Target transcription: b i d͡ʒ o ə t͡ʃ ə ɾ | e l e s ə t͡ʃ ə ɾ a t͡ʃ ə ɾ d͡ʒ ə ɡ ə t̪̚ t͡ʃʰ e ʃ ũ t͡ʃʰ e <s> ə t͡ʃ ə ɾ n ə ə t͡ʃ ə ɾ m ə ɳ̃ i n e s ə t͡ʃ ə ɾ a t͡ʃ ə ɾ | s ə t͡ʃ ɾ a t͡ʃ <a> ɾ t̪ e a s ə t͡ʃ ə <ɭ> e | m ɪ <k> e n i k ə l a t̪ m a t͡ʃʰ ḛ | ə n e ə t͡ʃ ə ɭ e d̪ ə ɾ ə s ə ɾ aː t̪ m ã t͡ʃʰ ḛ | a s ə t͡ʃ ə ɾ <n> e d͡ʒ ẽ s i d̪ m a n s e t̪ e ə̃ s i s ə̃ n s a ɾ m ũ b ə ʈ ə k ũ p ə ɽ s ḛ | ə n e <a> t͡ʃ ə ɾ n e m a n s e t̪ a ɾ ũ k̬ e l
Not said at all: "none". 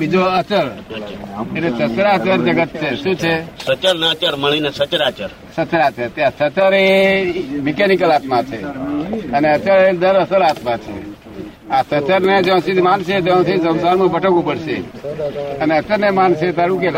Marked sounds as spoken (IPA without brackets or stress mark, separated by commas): s, ə, ɾ, k, n, ə